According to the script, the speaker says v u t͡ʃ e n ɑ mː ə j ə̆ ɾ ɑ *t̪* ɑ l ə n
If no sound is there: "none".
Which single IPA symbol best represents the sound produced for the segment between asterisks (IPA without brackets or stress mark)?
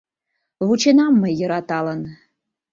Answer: t̪